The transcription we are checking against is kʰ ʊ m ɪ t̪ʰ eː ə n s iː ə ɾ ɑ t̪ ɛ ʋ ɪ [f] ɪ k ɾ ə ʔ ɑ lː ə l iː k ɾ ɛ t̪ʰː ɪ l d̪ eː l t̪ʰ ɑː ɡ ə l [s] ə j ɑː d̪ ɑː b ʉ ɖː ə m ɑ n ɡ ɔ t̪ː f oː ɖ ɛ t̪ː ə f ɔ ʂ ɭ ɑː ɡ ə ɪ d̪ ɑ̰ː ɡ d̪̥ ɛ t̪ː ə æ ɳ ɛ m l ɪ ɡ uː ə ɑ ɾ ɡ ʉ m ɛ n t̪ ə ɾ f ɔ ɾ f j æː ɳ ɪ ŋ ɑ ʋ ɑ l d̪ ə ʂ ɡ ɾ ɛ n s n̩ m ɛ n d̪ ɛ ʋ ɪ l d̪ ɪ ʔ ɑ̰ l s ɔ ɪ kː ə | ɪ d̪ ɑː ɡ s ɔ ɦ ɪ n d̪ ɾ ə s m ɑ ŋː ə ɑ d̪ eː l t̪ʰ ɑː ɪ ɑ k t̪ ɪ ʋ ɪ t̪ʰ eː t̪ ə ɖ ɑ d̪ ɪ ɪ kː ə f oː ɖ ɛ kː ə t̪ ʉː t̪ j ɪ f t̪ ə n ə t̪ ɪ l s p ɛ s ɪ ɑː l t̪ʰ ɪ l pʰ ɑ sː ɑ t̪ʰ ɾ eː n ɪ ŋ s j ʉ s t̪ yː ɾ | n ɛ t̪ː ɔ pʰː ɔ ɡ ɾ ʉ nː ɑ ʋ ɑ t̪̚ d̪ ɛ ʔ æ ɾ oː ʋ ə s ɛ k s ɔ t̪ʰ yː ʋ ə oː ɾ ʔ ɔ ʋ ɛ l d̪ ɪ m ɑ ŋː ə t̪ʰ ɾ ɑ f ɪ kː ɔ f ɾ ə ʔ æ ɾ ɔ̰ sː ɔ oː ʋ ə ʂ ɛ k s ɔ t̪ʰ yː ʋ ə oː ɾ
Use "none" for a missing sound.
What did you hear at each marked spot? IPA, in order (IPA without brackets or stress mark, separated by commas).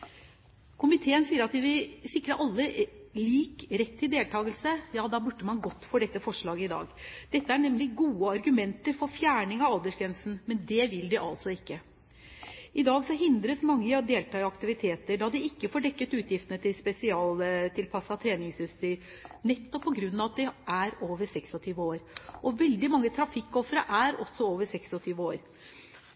s, s